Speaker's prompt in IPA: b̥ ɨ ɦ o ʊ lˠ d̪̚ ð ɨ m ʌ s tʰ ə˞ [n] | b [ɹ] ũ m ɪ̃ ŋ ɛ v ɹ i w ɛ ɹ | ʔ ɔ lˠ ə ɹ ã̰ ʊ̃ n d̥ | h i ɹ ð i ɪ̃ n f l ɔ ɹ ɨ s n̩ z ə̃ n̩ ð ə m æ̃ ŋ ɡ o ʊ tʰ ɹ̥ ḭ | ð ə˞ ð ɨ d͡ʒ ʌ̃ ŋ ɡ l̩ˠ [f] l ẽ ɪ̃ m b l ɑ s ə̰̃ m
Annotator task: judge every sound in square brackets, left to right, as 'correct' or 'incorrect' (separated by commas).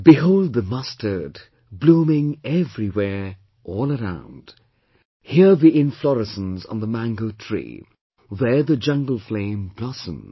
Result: incorrect, incorrect, correct